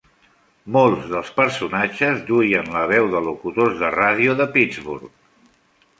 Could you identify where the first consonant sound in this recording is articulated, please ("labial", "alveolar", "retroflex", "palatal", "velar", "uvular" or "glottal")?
labial